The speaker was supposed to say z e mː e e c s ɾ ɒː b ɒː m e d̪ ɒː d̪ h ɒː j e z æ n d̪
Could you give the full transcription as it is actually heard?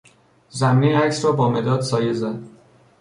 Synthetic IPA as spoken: z æ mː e æ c s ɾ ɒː b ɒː m e d̪ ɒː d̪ s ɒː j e z æ n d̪

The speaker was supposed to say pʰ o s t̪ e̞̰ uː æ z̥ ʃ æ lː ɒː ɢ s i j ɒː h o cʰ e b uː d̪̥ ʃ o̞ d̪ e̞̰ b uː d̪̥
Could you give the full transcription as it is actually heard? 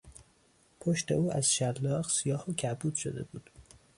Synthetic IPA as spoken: pʰ o ʃ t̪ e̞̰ uː æ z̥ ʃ æ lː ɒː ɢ s i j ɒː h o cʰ æ b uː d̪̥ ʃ o̞ d̪ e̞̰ b uː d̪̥

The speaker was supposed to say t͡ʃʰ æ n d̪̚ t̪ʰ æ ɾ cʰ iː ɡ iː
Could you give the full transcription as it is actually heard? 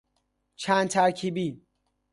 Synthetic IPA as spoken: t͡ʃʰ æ n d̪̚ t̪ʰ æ ɾ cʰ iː b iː

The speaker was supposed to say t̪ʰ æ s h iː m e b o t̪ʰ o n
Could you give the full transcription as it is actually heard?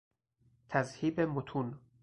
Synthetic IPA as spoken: t̪ʰ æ z h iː b e m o t̪ʰ u n

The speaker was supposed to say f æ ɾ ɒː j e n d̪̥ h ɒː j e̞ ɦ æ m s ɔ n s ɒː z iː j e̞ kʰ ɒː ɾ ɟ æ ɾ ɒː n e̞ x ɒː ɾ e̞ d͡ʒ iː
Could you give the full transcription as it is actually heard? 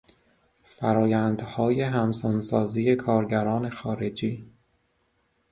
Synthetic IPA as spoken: f æ ɾ ɒː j æ n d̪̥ h ɒː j e̞ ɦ æ m s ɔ n s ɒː z iː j e̞ kʰ ɒː ɾ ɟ æ ɾ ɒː n e̞ x ɒː ɾ e̞ d͡ʒ iː

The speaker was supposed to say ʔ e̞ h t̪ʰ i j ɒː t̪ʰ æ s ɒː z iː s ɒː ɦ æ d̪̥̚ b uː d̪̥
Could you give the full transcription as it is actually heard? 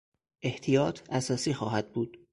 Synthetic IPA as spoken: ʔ e̞ h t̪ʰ i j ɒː t̪ʰ æ s ɒː s iː x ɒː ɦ æ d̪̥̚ b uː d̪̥

